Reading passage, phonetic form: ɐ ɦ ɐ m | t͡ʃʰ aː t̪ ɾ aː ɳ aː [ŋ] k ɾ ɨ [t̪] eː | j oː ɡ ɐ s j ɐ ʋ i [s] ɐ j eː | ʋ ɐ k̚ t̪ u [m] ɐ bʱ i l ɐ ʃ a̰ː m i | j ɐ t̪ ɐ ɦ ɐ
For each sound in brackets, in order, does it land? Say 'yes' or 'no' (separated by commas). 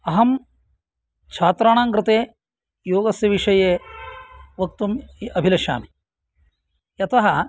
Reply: yes, yes, no, yes